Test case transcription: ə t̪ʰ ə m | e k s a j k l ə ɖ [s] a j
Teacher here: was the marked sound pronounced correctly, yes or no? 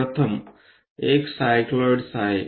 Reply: yes